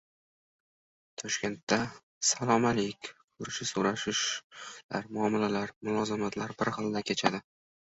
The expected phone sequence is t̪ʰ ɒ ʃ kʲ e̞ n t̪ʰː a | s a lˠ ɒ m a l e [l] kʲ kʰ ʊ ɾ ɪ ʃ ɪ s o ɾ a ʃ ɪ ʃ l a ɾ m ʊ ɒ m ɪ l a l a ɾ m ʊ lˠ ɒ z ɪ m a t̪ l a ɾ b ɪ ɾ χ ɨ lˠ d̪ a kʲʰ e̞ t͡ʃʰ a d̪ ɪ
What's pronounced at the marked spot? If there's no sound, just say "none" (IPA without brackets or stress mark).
none